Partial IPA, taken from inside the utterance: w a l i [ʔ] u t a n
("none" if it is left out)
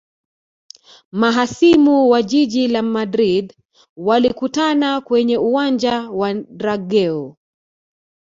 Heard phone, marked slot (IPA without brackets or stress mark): k